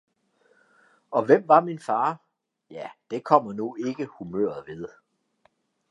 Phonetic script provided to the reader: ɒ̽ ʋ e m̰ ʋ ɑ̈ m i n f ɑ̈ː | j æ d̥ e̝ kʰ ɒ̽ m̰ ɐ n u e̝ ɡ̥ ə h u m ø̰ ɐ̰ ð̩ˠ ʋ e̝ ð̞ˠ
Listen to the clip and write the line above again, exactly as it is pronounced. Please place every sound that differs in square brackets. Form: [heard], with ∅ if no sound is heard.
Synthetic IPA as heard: ɒ̽ ʋ e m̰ ʋ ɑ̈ m i n f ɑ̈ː | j æ d̥ e̝ kʰ ɒ̽ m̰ ɐ n u e̝ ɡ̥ ə h u m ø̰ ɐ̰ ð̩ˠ ʋ e̝ ð̞ˠ